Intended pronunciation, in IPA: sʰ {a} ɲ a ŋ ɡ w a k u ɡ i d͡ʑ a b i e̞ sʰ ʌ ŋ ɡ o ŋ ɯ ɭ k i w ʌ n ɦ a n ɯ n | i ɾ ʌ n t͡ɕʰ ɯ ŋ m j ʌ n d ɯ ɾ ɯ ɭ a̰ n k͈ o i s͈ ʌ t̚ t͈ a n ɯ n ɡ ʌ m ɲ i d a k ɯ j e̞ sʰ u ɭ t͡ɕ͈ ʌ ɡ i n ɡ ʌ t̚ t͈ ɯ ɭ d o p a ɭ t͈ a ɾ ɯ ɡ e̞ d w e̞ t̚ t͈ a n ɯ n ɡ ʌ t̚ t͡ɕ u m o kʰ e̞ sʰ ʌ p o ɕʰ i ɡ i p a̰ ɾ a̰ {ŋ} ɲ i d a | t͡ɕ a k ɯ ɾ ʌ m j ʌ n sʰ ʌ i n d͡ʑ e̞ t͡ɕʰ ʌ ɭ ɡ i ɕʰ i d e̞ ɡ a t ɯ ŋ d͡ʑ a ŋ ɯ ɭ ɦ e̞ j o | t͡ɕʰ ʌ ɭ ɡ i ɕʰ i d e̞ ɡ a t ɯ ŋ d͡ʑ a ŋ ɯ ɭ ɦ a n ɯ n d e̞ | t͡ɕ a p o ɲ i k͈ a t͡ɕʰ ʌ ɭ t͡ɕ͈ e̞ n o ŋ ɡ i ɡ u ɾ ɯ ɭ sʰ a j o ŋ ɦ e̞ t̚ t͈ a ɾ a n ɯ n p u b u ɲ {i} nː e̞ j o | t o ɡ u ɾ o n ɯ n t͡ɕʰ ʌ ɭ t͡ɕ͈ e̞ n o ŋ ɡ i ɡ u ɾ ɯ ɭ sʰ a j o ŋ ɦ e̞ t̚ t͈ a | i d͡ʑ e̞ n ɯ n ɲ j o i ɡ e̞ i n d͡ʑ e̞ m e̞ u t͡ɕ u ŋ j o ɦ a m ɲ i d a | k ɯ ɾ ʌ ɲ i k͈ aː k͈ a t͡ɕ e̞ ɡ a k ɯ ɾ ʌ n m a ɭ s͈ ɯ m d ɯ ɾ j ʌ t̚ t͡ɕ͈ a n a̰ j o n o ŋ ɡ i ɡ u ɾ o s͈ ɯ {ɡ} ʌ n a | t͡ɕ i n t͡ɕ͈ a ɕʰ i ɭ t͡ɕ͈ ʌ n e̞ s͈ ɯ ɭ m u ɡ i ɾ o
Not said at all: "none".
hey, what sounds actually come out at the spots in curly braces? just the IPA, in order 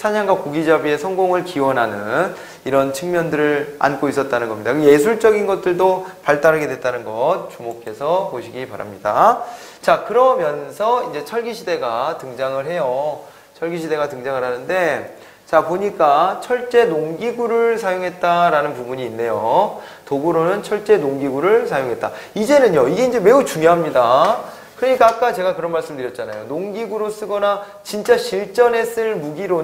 a, m, iː, ɡ

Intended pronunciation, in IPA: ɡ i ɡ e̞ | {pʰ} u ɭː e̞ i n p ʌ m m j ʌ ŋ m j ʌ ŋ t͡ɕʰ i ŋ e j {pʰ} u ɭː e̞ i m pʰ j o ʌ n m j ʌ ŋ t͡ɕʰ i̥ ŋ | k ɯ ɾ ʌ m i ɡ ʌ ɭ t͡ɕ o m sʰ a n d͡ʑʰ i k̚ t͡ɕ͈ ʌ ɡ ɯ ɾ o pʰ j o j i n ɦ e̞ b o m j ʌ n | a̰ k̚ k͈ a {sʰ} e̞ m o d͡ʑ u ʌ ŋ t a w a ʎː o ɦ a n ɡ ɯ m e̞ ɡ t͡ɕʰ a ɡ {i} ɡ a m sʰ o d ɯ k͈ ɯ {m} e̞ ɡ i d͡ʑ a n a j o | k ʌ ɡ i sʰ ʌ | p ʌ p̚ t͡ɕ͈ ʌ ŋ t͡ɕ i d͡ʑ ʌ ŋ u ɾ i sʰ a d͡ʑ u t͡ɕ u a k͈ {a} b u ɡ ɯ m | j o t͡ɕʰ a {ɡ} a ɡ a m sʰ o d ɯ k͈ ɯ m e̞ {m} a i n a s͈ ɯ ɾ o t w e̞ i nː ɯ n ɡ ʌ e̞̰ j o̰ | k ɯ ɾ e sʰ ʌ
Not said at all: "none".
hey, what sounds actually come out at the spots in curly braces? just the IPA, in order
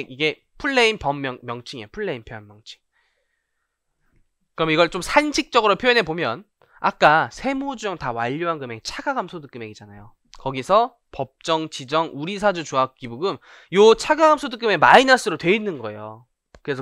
pʰ, pʰ, sʰ, a, m, i, ɡ, m

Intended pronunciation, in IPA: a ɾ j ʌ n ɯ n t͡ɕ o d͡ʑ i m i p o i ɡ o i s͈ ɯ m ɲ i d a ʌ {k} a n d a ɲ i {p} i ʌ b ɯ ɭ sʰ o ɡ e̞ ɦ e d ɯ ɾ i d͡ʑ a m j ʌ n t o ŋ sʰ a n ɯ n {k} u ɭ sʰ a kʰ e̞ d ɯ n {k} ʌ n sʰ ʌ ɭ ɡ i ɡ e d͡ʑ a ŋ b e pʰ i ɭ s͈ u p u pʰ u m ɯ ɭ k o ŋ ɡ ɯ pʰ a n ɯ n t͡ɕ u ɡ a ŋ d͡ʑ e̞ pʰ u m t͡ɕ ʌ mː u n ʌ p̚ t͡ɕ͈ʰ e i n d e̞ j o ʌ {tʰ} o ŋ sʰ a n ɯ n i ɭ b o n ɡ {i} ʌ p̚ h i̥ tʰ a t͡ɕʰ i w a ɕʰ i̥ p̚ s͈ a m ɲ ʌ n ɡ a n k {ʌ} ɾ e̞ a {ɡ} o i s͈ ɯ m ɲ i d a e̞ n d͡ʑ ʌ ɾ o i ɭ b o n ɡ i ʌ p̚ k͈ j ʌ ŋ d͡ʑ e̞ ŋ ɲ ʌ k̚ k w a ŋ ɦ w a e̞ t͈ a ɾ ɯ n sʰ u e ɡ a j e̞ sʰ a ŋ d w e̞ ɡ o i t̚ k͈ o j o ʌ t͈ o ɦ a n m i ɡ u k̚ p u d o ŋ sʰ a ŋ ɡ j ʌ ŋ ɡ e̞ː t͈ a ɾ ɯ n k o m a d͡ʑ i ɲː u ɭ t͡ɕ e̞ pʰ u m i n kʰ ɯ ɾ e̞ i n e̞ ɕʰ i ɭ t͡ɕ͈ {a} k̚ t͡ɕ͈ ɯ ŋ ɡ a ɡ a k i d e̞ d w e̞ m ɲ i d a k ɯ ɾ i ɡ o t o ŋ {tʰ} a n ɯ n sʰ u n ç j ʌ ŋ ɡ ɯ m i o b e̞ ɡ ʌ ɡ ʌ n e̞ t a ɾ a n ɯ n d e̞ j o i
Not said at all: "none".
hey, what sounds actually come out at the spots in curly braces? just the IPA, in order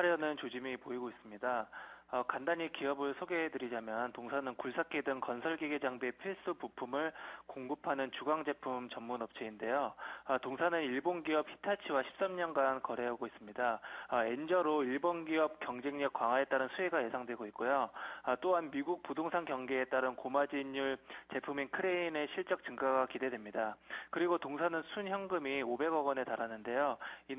k, k, k, k, t, i, ʌ, ɡ, ʌ, sʰ

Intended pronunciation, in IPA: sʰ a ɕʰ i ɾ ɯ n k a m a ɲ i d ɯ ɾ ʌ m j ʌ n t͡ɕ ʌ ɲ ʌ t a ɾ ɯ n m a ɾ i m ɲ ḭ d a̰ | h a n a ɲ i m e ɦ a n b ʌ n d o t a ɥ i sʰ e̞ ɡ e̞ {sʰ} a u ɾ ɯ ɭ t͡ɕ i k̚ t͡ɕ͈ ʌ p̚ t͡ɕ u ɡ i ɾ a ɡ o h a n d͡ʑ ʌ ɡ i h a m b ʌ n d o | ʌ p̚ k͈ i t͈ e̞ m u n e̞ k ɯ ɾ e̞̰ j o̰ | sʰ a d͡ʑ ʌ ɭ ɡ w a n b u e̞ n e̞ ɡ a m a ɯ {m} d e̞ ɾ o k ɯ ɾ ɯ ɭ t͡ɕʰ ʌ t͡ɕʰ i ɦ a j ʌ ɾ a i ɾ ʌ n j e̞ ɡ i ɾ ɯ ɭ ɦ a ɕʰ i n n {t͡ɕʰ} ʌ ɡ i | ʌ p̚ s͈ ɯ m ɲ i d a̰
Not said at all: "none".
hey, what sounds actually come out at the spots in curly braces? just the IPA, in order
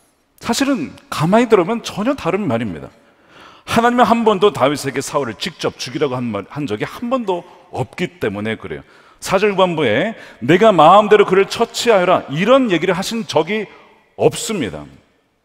sʰ, m, t͡ɕ

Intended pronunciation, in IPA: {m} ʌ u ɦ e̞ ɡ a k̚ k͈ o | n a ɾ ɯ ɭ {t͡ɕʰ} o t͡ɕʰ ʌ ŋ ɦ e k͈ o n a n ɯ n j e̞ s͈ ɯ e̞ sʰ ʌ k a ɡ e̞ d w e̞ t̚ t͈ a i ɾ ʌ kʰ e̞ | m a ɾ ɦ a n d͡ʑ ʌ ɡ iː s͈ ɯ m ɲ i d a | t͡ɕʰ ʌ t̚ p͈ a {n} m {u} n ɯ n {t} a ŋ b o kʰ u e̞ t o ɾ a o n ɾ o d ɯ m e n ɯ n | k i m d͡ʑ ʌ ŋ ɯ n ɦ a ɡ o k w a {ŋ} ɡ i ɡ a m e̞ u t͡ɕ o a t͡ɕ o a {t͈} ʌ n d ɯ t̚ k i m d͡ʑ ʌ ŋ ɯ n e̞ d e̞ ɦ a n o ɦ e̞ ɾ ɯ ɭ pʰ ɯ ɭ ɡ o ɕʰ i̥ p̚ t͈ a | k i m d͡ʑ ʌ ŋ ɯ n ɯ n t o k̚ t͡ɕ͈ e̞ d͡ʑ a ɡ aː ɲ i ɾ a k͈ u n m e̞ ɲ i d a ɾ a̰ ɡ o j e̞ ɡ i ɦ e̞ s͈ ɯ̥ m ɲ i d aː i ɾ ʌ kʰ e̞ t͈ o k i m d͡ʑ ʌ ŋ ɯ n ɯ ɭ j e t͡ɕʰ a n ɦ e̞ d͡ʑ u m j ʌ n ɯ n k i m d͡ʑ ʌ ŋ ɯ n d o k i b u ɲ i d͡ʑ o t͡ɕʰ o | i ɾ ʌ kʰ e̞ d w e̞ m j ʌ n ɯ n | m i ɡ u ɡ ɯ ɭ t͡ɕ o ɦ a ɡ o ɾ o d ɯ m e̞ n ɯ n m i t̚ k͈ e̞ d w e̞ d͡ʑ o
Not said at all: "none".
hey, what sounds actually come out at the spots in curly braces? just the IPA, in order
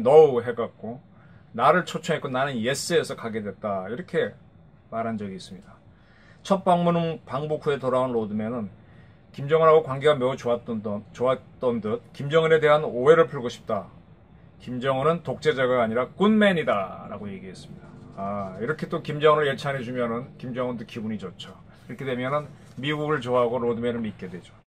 n, t͡ɕʰ, ŋ, u, p, ŋ, t͈

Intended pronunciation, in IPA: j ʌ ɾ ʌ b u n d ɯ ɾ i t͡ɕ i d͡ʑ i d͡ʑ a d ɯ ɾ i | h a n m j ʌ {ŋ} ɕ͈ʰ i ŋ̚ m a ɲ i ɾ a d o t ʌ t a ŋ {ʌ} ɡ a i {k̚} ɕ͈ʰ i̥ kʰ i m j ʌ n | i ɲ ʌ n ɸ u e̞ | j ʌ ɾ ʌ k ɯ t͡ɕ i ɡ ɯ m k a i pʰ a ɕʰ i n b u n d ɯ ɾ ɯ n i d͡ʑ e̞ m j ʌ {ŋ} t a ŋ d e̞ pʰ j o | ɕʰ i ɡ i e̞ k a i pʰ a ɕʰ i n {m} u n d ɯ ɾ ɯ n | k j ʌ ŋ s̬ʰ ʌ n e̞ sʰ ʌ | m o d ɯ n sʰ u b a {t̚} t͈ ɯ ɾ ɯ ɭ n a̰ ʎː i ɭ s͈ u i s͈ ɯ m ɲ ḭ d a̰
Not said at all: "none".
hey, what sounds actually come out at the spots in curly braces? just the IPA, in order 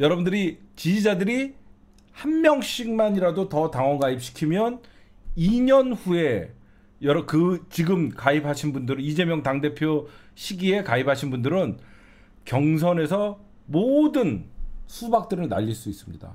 ŋ, ʌ, p̚, ŋ, b, k̚

